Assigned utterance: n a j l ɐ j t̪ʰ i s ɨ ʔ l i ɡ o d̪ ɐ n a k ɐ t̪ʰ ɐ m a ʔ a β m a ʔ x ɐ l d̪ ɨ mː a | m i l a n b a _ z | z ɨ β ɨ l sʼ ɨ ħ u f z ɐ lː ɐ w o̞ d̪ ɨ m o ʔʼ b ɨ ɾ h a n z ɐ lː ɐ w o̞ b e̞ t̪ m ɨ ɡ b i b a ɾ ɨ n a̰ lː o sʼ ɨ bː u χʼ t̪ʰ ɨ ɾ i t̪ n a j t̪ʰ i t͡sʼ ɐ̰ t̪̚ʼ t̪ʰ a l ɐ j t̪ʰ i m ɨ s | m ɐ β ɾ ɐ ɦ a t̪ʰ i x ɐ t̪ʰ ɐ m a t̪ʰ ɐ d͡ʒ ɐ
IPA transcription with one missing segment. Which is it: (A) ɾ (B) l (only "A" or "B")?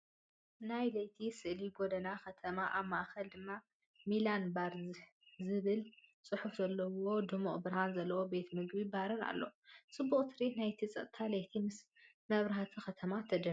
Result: A